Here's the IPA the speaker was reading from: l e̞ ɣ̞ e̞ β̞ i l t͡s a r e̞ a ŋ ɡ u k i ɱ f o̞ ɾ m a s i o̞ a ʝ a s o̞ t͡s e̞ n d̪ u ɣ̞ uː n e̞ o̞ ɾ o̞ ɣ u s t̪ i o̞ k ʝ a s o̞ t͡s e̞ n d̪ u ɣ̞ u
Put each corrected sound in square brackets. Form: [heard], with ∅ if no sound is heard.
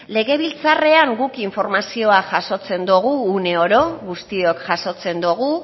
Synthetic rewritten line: l e̞ ɣ̞ e̞ β̞ i l t͡s a r e̞ a ŋ ɡ u k i ɱ f o̞ ɾ m a s i o̞ a ʝ a s o̞ t͡s e̞ n d̪ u ɣ̞ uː n e̞ o̞ ɾ o̞ ɣ u s t̪ i o̞ k ʝ a s o̞ t͡s e̞ n d̪ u ɣ̞ u